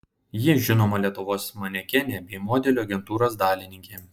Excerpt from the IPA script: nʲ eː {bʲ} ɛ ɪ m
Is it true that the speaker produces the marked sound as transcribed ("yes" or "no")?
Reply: yes